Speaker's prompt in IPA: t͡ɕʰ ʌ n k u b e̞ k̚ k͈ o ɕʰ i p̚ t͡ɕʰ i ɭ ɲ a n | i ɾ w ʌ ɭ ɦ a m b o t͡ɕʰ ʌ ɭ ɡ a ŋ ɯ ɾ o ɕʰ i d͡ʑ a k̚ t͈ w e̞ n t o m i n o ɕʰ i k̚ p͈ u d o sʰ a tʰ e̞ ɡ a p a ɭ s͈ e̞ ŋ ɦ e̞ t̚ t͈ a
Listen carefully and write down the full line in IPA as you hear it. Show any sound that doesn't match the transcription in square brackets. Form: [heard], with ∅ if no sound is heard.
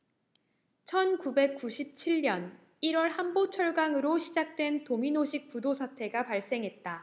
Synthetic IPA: t͡ɕʰ ʌ n k u b e̞ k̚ k͈ [u] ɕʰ i p̚ t͡ɕʰ i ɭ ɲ [ʌ] n | i ɾ w ʌ ɭ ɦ a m b o t͡ɕʰ ʌ ɭ ɡ a ŋ ɯ ɾ o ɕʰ i d͡ʑ a k̚ t͈ w e̞ n t o m i n o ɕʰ i k̚ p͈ u d o sʰ a tʰ e̞ ɡ a p a ɭ s͈ e̞ ŋ ɦ e̞ t̚ t͈ a